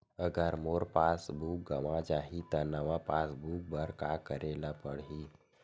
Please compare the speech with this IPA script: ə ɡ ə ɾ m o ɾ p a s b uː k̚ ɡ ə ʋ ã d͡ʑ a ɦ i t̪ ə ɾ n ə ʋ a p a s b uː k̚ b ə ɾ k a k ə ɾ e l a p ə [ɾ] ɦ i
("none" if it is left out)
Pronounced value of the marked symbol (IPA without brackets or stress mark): ɽ